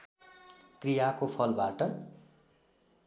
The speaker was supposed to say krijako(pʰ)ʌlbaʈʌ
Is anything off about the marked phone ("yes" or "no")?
no